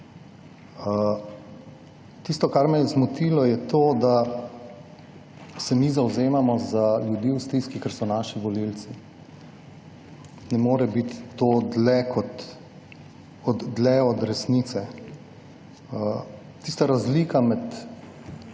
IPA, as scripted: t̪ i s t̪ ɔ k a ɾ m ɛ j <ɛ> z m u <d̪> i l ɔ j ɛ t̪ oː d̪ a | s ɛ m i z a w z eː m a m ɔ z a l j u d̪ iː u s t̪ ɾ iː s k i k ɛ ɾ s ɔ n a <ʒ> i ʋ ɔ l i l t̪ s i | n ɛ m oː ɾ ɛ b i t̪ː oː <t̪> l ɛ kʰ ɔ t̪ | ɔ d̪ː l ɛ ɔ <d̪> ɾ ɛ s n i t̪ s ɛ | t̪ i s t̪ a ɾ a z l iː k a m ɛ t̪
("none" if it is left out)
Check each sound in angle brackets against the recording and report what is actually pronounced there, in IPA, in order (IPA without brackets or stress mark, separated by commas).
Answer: ɛ, t̪, ʃ, d̪, d̪